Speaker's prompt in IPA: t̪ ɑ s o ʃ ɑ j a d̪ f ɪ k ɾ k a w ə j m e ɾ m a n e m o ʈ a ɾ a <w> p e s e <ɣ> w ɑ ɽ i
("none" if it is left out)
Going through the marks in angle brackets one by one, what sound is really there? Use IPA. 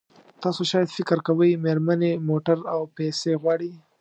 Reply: w, ɣ

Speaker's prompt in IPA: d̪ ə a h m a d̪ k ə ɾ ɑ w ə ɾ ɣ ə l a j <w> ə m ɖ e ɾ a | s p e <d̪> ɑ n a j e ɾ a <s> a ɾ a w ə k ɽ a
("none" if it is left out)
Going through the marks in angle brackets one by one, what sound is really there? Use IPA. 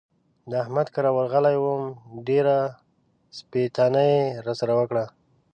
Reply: w, t̪, s

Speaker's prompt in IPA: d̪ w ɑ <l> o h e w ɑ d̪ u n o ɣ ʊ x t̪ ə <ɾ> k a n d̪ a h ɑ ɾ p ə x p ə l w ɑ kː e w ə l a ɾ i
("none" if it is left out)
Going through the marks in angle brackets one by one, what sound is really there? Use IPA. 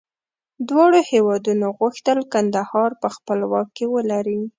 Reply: ɽ, l

